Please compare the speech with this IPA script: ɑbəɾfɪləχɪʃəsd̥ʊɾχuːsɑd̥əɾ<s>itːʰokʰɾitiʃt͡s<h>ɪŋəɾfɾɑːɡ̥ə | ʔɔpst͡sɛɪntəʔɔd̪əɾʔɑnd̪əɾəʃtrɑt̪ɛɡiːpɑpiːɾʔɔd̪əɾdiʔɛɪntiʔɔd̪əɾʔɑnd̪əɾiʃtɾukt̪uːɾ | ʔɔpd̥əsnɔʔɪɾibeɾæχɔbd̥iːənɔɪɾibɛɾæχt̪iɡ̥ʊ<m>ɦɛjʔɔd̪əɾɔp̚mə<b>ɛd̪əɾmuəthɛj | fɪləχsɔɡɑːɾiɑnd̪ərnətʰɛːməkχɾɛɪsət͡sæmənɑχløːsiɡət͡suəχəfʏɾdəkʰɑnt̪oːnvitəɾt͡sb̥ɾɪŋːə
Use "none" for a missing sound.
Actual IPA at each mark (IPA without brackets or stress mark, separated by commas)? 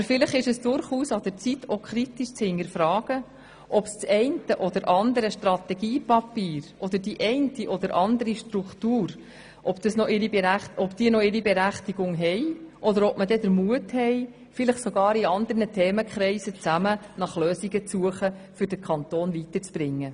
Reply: t͡s, h, ŋ, d